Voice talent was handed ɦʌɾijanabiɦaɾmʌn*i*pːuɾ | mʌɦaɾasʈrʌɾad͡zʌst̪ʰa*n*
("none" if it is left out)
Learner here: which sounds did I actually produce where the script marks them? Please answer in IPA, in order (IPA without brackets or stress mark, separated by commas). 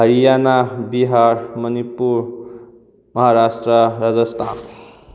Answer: i, n